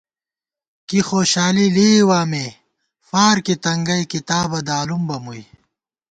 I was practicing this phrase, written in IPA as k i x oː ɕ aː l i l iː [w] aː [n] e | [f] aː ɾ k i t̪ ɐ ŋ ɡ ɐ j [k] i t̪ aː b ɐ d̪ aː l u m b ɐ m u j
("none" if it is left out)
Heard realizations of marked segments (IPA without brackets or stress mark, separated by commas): w, m, f, k